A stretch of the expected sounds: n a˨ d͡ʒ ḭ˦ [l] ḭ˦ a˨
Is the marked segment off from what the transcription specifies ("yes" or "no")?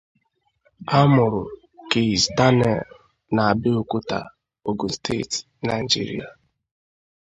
yes